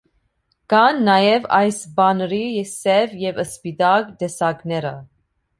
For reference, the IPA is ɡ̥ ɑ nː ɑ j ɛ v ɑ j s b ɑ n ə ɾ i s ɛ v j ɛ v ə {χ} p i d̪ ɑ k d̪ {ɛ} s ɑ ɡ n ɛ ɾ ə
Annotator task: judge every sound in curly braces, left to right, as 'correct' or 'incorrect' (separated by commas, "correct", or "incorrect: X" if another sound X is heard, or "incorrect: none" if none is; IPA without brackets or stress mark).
incorrect: s, correct